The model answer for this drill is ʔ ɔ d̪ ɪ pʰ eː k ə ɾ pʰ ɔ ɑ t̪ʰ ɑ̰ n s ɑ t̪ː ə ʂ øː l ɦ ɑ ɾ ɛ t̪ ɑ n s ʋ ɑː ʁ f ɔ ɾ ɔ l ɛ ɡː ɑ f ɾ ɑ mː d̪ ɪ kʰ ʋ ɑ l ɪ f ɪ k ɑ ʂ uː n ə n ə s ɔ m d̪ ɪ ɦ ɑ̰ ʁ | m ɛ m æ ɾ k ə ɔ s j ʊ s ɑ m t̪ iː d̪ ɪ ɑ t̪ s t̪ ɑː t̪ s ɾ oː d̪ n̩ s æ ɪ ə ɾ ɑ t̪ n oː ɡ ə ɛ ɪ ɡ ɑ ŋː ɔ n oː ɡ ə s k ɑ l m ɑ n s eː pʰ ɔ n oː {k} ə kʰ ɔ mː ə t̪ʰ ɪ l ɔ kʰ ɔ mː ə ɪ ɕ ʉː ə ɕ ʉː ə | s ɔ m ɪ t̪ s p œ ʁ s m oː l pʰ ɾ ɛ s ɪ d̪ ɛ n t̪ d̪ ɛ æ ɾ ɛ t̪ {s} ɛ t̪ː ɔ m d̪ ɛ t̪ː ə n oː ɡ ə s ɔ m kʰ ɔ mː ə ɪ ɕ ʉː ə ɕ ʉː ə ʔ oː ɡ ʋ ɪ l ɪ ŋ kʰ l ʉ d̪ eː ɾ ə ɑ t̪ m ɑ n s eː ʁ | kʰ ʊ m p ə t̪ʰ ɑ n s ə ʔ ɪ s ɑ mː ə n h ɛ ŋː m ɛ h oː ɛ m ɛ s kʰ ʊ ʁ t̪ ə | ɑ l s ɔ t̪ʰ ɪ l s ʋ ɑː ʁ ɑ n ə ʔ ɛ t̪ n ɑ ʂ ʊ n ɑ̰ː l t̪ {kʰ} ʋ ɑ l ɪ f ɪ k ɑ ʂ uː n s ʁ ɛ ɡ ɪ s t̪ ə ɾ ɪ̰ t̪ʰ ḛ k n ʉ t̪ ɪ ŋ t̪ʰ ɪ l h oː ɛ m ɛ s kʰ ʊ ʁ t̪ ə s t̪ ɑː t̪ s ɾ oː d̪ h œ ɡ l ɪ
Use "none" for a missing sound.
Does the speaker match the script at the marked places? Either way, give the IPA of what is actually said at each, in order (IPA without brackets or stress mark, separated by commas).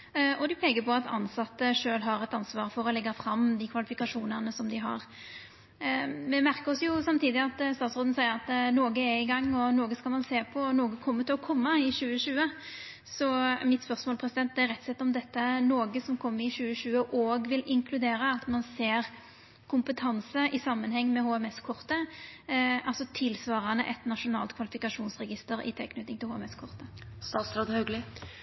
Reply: ɡ, s, kʰ